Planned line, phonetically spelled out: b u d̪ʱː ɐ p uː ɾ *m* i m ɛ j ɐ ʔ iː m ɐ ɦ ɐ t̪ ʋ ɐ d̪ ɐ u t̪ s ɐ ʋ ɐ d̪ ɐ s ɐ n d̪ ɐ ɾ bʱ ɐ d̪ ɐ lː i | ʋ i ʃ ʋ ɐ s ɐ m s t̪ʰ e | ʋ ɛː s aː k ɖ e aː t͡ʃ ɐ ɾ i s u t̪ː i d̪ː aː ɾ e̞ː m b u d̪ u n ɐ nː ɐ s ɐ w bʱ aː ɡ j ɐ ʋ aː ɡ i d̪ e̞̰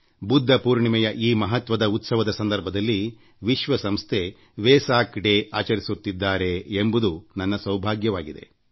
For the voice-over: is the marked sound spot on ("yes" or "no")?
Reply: no